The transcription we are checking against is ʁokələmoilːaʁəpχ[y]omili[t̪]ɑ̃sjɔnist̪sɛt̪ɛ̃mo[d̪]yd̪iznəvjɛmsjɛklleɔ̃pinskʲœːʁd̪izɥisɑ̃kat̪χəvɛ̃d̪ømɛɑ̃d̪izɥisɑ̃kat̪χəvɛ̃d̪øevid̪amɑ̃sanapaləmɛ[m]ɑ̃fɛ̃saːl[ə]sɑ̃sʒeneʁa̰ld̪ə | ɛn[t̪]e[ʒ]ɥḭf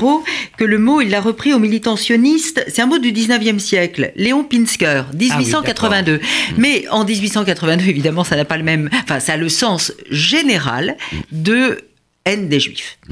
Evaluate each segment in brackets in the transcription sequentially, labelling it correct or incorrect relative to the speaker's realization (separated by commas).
incorrect, correct, correct, correct, correct, incorrect, correct